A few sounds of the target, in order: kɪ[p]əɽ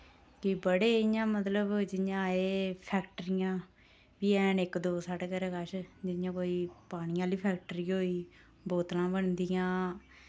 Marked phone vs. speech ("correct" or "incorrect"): incorrect